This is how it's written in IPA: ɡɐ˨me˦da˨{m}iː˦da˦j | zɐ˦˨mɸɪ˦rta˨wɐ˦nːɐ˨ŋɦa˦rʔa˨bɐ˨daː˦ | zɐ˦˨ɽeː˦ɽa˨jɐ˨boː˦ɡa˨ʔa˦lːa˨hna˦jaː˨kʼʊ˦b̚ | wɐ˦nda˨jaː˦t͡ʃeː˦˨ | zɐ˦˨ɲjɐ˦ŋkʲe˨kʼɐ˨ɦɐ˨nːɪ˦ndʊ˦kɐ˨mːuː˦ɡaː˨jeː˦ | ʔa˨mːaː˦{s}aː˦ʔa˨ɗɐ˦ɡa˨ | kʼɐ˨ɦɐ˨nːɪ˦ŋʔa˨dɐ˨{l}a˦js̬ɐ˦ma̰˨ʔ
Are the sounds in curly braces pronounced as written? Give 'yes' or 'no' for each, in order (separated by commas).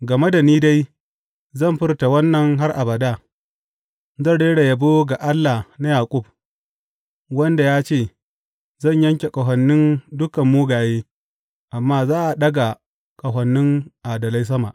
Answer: no, no, yes